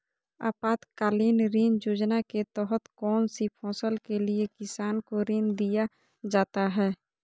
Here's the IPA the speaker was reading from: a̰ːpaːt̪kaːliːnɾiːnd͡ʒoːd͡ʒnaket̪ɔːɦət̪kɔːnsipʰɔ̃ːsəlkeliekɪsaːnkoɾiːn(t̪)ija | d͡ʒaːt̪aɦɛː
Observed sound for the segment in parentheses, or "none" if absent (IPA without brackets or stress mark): d̪